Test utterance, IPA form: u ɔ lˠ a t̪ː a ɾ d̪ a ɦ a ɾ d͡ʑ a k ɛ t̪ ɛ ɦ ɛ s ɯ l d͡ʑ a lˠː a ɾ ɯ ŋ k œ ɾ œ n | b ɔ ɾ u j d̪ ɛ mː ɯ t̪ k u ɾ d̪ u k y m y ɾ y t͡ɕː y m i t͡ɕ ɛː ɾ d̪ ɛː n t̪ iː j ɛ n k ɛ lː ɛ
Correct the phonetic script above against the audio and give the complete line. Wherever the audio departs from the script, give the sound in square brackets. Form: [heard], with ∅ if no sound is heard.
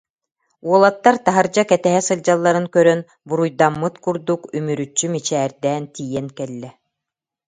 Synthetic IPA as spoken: u ɔ lˠ a t̪ː a ɾ [t̪] a ɦ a ɾ d͡ʑ a k ɛ t̪ ɛ ɦ ɛ s ɯ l d͡ʑ a lˠː a ɾ ɯ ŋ k œ ɾ œ n | b [u] ɾ u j d̪ [a] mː ɯ t̪ k u ɾ d̪ u k y m y ɾ y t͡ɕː y m i t͡ɕ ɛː ɾ d̪ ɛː n t̪ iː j ɛ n k ɛ lː ɛ

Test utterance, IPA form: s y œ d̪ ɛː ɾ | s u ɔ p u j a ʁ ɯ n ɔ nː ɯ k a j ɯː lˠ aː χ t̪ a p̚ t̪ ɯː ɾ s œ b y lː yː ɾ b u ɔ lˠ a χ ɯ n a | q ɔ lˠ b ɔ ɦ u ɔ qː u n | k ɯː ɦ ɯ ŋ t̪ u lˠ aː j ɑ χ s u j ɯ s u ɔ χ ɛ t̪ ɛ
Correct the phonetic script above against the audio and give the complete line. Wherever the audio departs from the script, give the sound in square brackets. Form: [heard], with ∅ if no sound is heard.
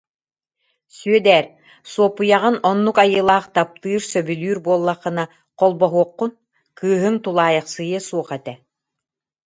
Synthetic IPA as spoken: s y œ d̪ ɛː ɾ | s u ɔ p u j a ʁ ɯ n ɔ nː [u] k a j ɯː lˠ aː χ t̪ a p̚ t̪ ɯː ɾ s œ b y [l] yː ɾ b u ɔ [lˠː] a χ ɯ n a | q ɔ lˠ b ɔ ɦ u ɔ qː u n | k ɯː ɦ ɯ ŋ t̪ u lˠ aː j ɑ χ s [ɯ] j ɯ s u ɔ χ ɛ t̪ ɛ

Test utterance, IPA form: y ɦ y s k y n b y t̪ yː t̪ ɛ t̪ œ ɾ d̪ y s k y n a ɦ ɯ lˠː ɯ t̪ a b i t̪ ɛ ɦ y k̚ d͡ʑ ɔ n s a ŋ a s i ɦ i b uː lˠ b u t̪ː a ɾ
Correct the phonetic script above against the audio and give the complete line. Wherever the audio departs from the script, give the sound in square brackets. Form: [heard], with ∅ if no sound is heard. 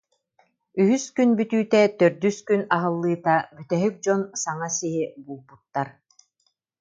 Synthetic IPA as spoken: y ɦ y s k y n b y t̪ yː t̪ ɛ t̪ œ ɾ d̪ y s k y n a ɦ ɯ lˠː [ɯː] t̪ a b [y] t̪ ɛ ɦ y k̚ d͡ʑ ɔ n s a ŋ a s i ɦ i b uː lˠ b u t̪ː a ɾ

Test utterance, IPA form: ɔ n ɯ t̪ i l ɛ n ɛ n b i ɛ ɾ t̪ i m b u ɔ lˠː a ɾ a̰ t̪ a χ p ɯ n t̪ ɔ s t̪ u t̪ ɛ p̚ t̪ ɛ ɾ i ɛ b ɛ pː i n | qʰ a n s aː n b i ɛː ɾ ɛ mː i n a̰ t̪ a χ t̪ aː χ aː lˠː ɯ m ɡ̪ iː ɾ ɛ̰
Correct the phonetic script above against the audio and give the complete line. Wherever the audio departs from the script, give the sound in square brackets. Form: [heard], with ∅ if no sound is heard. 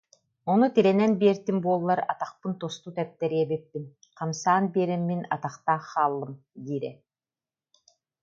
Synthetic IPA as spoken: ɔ n [u] t̪ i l ɛ n ɛ n b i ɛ ɾ t̪ i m b u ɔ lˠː a ɾ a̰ t̪ a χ p ɯ n t̪ ɔ s t̪ u t̪ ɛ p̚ t̪ ɛ ɾ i ɛ b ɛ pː i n | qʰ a [m] s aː n b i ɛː ɾ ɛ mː i n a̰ t̪ a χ t̪ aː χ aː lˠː ɯ m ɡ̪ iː ɾ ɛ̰

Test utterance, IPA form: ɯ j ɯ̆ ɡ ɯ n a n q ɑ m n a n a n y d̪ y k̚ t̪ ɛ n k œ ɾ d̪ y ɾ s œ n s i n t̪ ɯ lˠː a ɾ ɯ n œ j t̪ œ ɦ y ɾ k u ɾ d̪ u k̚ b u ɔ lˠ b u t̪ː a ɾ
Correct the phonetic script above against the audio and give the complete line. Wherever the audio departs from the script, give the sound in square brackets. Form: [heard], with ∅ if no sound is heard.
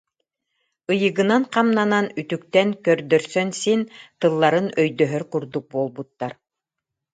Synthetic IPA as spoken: ɯ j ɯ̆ ɡ ɯ n a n q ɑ m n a n a n y [t̪] y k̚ t̪ ɛ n k œ ɾ d̪ [œ] ɾ s œ n s i n t̪ ɯ lˠː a ɾ ɯ n œ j [d̪] œ ɦ [œ] ɾ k u ɾ d̪ u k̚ b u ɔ lˠ b u t̪ː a ɾ

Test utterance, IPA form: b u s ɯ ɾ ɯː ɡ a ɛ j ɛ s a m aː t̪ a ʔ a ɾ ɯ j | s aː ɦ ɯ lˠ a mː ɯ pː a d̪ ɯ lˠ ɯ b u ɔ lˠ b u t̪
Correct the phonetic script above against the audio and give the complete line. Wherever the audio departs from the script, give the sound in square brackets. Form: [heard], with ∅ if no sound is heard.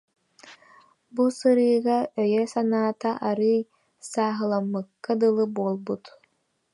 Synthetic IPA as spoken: b u s ɯ ɾ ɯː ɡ a [œ] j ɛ s a [n] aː t̪ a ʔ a ɾ ɯ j | s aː ɦ ɯ lˠ a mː ɯ [kː] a d̪ ɯ lˠ ɯ b u ɔ lˠ b u t̪

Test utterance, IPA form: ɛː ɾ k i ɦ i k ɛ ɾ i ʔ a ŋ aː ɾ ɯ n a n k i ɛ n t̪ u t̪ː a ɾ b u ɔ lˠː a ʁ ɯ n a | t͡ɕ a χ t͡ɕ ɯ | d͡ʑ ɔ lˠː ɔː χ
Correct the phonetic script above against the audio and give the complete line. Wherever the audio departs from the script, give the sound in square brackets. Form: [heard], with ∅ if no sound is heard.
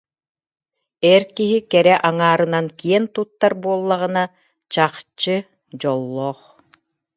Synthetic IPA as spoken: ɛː ɾ k i ɦ i k ɛ ɾ [ɛ] ʔ a ŋ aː ɾ ɯ n a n k i ɛ n t̪ u t̪ː a ɾ b u ɔ lˠː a ʁ ɯ n a | t͡ɕ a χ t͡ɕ ɯ | d͡ʑ ɔ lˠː ɔː χ

